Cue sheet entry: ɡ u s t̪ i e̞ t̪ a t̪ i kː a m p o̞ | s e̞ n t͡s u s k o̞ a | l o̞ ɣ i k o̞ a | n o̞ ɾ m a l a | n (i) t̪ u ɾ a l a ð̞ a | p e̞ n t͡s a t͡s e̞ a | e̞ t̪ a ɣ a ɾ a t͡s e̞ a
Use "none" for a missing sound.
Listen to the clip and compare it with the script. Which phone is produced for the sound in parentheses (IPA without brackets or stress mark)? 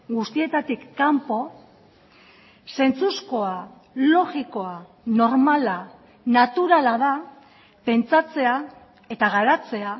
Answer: a